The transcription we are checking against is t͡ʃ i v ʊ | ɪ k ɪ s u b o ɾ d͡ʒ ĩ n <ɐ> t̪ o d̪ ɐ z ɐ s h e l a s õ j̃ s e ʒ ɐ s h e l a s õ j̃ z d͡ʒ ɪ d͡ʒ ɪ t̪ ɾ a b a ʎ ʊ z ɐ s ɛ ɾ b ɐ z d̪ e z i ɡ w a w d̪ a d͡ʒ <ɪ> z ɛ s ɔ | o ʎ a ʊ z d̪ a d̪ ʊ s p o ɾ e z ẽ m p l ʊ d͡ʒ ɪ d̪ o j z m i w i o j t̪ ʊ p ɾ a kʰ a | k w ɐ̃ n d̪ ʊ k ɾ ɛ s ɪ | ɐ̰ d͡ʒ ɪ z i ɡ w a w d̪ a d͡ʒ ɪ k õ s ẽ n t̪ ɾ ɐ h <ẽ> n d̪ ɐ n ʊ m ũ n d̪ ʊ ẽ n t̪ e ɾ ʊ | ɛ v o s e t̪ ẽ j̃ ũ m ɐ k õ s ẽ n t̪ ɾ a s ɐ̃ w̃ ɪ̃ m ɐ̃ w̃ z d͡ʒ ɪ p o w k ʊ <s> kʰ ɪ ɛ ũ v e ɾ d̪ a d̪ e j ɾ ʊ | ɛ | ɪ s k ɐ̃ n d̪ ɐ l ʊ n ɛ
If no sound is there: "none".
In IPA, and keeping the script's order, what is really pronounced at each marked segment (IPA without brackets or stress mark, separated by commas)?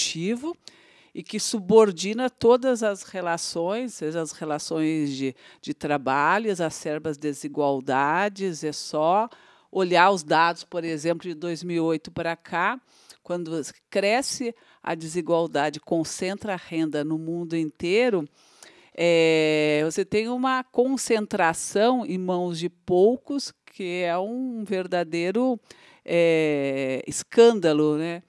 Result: ɐ, ɪ, ẽ, s